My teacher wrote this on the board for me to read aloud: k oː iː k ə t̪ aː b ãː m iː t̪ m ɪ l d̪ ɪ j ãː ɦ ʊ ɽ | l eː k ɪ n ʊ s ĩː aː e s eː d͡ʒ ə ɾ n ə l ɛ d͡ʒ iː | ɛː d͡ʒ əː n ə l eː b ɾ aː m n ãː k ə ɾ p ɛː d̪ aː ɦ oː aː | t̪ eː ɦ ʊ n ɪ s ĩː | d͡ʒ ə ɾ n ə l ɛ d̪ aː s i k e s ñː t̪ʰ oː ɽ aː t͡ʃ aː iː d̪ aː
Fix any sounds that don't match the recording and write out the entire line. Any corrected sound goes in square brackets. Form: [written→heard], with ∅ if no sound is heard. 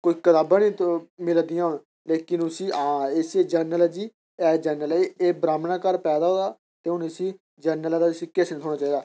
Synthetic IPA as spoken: k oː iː k ə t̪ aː b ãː [m→n] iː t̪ m ɪ l d̪ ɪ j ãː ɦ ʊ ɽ | l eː k ɪ n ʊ s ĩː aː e s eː d͡ʒ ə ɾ n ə l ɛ d͡ʒ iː | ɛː d͡ʒ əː n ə l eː b ɾ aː m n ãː k ə ɾ p ɛː d̪ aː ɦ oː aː | t̪ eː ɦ ʊ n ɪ s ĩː | d͡ʒ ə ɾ n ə l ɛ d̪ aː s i k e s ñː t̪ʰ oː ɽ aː t͡ʃ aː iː d̪ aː